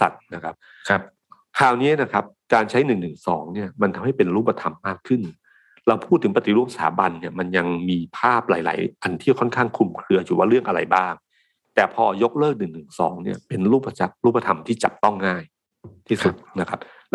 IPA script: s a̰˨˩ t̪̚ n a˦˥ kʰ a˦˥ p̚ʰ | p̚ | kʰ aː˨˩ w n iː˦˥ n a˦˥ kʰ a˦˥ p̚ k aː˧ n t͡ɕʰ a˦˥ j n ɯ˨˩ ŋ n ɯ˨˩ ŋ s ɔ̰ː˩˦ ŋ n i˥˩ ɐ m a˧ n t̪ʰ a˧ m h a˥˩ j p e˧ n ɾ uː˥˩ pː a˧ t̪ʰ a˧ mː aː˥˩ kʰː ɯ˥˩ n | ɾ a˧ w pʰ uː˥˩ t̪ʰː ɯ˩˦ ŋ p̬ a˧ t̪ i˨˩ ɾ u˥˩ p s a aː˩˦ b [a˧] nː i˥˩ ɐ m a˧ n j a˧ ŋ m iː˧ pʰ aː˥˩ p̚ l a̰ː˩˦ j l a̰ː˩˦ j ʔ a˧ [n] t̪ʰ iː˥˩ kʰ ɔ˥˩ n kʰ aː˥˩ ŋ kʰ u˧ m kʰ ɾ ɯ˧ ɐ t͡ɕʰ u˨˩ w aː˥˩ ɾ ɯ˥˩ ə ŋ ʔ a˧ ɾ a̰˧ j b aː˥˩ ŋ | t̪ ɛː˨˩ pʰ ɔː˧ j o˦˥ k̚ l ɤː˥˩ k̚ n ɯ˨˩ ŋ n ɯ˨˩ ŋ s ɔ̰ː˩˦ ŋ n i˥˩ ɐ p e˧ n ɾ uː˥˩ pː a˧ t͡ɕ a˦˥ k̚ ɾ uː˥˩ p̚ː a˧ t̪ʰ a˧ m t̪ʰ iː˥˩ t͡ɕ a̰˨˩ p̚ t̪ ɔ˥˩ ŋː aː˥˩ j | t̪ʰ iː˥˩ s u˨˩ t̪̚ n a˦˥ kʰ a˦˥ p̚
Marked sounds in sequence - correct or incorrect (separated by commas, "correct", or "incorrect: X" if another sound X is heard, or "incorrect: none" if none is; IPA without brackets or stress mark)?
correct, correct